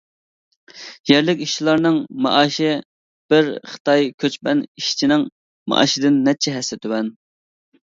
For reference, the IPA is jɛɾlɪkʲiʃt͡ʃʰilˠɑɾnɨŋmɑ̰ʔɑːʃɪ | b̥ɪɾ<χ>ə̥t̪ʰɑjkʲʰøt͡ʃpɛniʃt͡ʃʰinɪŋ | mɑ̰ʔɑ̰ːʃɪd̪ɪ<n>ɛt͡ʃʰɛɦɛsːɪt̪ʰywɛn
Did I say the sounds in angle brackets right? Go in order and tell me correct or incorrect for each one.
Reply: correct, incorrect: nː

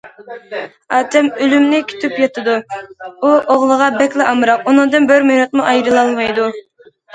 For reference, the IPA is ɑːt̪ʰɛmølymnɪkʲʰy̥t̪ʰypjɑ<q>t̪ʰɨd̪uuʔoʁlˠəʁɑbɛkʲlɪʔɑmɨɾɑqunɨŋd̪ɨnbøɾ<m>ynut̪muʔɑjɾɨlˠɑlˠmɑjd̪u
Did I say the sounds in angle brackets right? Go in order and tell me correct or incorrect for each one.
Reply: incorrect: none, correct

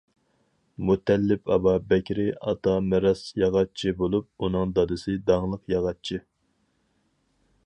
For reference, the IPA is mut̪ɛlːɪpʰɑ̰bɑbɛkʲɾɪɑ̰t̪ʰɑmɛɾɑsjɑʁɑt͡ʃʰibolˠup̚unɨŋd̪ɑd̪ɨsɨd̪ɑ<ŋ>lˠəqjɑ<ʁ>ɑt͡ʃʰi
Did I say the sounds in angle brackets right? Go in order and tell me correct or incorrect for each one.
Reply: correct, correct

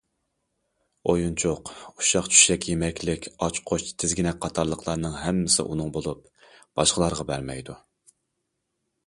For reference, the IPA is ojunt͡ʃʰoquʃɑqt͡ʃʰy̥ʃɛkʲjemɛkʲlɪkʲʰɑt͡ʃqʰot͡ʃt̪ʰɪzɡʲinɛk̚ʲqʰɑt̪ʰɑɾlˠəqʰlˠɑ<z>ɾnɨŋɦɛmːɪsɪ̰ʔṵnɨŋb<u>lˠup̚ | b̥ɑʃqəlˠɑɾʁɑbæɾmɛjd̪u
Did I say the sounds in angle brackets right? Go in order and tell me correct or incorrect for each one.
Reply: incorrect: none, incorrect: o

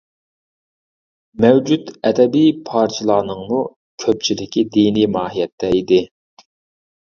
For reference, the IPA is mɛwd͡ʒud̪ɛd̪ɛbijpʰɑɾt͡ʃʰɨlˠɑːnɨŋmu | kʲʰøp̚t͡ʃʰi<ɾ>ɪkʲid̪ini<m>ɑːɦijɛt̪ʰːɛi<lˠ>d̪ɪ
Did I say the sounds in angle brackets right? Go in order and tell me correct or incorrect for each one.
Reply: incorrect: l, correct, incorrect: none

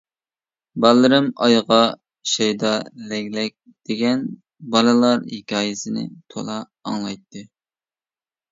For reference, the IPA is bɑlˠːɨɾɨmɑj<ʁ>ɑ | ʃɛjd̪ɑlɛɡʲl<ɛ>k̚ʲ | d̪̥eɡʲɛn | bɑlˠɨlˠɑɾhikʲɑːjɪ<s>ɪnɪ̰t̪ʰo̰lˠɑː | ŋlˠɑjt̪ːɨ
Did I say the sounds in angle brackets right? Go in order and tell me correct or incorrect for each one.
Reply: correct, correct, correct

